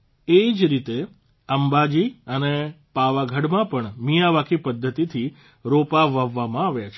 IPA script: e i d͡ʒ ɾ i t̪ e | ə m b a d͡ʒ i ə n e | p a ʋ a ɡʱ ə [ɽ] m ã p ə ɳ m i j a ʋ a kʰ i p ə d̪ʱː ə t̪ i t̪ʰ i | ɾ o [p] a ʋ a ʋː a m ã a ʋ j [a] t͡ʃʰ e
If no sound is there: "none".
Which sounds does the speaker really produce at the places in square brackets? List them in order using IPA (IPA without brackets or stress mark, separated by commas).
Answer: ɽ, p, a